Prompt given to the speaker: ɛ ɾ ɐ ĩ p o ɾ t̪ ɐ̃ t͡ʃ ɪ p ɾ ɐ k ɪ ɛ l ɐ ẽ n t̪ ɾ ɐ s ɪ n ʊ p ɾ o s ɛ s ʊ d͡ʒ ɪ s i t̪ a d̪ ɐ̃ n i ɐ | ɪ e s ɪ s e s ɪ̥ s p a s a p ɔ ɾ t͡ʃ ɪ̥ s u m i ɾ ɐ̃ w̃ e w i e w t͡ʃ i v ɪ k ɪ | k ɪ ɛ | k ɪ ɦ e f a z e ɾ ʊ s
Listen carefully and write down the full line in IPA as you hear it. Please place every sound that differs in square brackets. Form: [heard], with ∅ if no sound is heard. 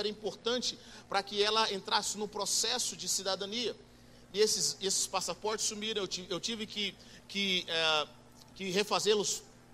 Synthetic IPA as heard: ɛ ɾ ɐ ĩ p o ɾ t̪ ɐ̃ t͡ʃ ɪ p ɾ ɐ k ɪ ɛ l ɐ ẽ n t̪ ɾ [a] s ɪ n ʊ p ɾ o s ɛ s ʊ d͡ʒ ɪ s i [d̪] a d̪ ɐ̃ n i ɐ | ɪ e s ɪ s e s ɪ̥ s p a s a p ɔ ɾ t͡ʃ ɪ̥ s u m i ɾ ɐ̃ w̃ e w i e w t͡ʃ i v ɪ k ɪ | k ɪ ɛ | k ɪ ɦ e f a z e [l] ʊ s